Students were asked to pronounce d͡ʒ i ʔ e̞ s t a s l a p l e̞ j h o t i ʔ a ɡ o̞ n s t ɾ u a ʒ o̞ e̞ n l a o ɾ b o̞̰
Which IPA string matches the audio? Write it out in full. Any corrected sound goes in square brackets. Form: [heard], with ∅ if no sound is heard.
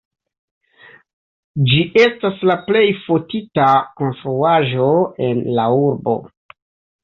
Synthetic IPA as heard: d͡ʒ i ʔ e̞ s t a s l a p l e̞ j [f] o t i [t] a [k] o̞ n s t ɾ u a ʒ o̞ e̞ n l a [u] ɾ b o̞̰